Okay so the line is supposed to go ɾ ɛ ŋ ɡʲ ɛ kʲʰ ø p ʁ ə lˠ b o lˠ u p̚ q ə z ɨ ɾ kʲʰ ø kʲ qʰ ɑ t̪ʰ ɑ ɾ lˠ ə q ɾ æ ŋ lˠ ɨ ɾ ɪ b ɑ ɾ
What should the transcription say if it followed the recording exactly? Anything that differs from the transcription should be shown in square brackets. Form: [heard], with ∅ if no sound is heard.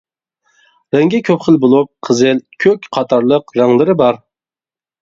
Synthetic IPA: ɾ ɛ ŋ ɡʲ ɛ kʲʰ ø p [χ] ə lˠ b o lˠ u p̚ [qʰ] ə z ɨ [l] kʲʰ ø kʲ qʰ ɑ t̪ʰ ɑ ɾ lˠ ə q ɾ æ ŋ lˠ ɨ ɾ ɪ b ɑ ɾ